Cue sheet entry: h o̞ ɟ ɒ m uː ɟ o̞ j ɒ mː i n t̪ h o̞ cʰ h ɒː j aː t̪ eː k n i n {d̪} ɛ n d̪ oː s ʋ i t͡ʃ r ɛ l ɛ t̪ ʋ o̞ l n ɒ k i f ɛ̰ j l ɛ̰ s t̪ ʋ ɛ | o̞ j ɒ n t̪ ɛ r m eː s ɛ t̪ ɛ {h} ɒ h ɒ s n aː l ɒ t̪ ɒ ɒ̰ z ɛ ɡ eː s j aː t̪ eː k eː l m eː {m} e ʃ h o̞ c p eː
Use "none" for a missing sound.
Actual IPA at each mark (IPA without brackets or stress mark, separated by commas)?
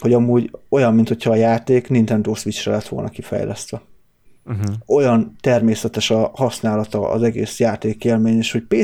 t̪, ʃ, ɲ